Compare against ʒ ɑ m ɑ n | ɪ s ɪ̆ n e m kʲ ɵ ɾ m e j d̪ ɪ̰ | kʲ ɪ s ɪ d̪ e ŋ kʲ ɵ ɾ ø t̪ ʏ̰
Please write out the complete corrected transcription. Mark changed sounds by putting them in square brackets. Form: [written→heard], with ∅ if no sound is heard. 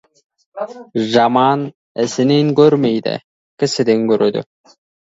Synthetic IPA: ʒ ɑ m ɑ n | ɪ s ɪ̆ n e [m→ŋ] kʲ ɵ ɾ m e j d̪ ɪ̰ | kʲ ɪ s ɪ d̪ e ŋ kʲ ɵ ɾ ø [t̪→d̪] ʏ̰